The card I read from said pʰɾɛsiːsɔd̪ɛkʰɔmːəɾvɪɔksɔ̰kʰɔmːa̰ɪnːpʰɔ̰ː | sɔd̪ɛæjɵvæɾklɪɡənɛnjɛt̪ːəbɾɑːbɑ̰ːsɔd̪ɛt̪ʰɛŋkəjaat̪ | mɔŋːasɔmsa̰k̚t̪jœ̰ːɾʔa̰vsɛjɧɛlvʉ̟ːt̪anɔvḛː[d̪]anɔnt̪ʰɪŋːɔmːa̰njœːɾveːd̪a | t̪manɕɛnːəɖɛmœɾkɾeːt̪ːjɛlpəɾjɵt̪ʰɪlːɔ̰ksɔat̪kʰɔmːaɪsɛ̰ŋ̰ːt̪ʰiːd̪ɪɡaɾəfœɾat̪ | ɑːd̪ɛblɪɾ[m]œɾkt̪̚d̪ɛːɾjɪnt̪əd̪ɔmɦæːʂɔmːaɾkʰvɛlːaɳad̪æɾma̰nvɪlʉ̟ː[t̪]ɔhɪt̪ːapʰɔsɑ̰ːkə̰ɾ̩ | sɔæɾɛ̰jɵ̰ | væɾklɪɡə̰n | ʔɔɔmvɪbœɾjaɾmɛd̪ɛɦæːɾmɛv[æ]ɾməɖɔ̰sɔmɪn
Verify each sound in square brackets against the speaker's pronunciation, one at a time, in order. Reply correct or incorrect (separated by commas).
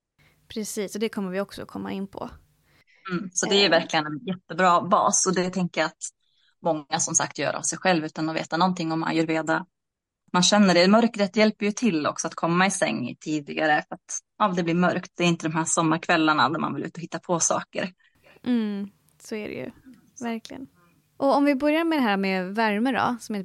incorrect, correct, correct, correct